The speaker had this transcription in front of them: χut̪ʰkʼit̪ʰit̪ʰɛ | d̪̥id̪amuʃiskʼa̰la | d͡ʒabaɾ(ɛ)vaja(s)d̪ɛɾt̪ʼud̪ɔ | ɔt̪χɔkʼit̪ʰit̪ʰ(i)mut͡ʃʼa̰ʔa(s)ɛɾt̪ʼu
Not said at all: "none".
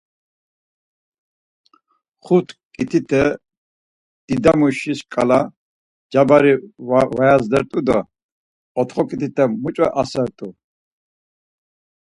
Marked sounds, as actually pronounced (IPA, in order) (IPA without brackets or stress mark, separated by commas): i, z, ɛ, s